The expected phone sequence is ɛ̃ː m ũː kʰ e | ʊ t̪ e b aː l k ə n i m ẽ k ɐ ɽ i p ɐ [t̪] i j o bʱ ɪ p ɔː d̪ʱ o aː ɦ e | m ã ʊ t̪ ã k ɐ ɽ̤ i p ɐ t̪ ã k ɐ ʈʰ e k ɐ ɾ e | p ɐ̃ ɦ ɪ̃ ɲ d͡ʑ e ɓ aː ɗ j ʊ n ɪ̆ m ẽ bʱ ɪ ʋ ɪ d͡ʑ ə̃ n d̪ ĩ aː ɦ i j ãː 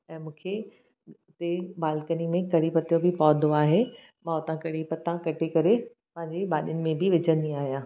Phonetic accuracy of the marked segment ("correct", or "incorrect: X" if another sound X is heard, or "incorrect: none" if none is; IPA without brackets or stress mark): correct